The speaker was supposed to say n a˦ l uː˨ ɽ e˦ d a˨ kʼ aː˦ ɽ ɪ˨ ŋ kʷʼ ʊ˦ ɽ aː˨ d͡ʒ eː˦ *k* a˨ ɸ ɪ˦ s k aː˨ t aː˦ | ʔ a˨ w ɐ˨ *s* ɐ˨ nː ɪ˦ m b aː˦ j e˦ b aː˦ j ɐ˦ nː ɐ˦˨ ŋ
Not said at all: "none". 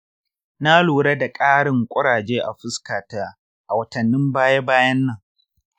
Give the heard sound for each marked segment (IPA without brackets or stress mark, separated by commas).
ʔ, t